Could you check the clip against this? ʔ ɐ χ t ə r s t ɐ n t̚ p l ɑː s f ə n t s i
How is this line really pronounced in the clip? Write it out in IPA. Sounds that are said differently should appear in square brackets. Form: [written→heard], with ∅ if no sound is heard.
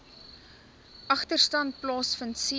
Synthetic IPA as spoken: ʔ ɐ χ t ə r s t ɐ n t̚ p l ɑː s f ə n t s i